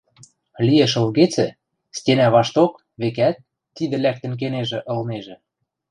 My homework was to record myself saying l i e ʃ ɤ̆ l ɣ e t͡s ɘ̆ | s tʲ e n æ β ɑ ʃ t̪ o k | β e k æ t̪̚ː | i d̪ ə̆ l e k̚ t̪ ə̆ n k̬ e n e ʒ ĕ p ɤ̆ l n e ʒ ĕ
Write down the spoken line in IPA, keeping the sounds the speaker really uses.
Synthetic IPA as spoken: l i e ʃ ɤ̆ l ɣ e t͡s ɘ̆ | s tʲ e n æ β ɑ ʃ t̪ o k | β e k æ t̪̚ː | i d̪ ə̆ l æ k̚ t̪ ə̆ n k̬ e n e ʒ ĕ ʔ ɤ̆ l n e ʒ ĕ

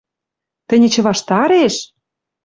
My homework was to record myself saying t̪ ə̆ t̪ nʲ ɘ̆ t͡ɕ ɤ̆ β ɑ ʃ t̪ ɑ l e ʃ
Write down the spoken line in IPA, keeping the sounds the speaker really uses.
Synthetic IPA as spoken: t̪ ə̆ nʲ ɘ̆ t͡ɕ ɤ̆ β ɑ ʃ t̪ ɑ ɾ e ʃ

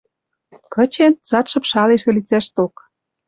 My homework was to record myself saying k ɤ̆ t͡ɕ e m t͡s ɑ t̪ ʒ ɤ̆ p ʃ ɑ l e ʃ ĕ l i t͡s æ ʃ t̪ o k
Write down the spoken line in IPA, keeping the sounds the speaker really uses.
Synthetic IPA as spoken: k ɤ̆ t͡ɕ e n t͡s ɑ t̪ ʃ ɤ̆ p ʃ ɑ l e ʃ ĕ l i t͡s æ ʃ t̪ o k

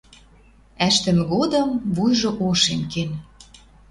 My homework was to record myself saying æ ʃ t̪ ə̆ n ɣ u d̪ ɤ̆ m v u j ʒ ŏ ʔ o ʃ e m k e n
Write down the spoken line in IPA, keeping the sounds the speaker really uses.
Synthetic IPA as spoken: æ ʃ t̪ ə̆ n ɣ o d̪ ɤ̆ m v u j ʒ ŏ ʔ o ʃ e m k e n

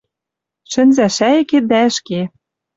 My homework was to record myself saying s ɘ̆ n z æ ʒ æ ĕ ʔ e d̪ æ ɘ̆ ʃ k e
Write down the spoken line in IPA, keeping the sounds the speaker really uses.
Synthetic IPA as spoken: ʃ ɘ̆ n z æ ʃ æ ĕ k e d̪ æ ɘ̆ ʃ k e

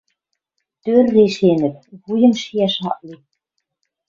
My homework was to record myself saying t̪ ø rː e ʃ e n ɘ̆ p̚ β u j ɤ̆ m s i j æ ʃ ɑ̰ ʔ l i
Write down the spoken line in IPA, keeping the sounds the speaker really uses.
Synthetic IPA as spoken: t̪ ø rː e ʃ e n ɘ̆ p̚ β u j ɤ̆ m ʃ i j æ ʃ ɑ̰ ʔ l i

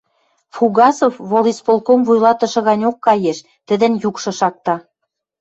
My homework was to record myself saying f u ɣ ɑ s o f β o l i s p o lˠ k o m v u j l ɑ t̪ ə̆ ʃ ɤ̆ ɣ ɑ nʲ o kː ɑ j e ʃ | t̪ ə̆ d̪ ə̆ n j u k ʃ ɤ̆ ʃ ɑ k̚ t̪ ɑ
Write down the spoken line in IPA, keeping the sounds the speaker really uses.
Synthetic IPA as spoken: f u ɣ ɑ s o f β o l i s p o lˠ k o m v u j l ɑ t̪ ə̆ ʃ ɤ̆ ɣ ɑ nʲ o kː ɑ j e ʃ | t̪ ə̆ d̪ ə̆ n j u k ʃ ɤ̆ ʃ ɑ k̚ t̪ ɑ

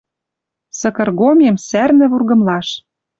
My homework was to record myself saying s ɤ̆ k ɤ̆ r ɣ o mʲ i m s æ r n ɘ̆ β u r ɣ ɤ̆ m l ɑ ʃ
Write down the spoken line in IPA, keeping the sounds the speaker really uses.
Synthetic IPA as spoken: s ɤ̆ k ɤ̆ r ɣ o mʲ e m s æ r n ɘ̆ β u r ɣ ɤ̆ m l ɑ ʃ

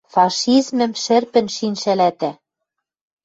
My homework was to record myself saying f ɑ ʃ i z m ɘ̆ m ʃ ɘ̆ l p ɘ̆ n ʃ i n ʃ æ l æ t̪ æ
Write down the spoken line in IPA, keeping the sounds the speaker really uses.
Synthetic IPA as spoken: f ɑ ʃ i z m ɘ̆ m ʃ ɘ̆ r p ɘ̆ n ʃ i n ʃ æ l æ t̪ æ

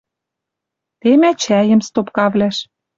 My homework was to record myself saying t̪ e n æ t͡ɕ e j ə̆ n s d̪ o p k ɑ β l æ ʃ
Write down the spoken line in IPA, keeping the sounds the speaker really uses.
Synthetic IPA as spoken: t̪ e m æ t͡ɕ æ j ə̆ m s t̪ o p k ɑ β l æ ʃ

